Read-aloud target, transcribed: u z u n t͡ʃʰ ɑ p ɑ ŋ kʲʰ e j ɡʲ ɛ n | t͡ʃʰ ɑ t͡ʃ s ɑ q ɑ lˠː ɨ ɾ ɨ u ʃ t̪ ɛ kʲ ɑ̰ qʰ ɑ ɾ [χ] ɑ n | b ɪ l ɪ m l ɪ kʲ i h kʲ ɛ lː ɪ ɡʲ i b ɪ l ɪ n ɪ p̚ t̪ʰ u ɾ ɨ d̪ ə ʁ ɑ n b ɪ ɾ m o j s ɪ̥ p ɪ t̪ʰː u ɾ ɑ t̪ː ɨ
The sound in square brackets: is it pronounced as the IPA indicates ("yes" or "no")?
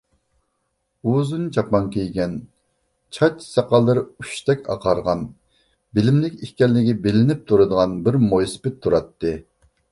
no